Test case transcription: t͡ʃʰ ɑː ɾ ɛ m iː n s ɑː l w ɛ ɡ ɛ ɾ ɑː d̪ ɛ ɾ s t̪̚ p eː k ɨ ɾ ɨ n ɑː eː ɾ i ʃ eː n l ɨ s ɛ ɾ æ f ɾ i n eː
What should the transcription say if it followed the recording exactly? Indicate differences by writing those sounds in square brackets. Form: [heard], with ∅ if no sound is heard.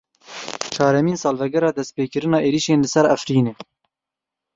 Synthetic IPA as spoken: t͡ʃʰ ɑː ɾ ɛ m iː n s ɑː l [v] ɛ ɡ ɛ ɾ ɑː d̪ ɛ [∅] s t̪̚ p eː k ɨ ɾ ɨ n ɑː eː ɾ i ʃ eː n l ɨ s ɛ ɾ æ f ɾ [iː] n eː

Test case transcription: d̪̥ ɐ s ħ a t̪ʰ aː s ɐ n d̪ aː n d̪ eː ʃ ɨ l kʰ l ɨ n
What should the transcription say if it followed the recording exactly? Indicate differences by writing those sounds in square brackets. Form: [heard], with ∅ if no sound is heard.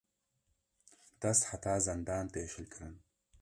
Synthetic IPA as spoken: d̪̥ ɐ s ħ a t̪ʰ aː [z] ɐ n d̪ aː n [t̪] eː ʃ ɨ l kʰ [ɾ] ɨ n

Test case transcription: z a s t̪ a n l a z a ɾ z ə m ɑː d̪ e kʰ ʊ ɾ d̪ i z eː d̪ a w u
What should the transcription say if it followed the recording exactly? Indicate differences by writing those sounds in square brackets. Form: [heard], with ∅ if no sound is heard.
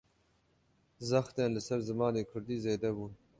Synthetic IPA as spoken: z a [x] t̪ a n l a [s] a ɾ z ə m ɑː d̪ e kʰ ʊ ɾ d̪ i z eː d̪ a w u

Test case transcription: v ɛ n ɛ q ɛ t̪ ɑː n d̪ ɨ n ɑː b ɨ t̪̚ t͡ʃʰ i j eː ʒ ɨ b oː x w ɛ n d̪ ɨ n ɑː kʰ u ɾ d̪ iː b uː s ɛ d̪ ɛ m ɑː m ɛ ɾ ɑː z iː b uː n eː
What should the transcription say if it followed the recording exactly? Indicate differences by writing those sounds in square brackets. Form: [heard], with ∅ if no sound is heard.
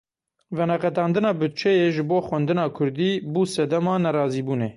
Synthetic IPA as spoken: v ɛ n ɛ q ɛ t̪ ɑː n d̪ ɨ n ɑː b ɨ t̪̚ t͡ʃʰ [ɛ] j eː ʒ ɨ b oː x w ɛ n d̪ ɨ n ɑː kʰ [ʊ] ɾ d̪ iː b uː s ɛ d̪ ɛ m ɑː [n] ɛ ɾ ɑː z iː b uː n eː

